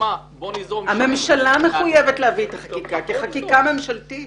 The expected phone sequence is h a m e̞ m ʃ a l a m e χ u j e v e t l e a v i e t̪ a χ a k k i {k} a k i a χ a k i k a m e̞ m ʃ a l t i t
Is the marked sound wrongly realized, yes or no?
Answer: no